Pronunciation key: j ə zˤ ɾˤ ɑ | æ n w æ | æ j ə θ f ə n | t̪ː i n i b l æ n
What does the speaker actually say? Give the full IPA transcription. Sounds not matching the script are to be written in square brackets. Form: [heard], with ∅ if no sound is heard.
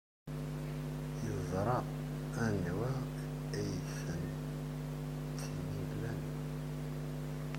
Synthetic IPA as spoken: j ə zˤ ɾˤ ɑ | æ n w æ | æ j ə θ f ə n | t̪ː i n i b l æ n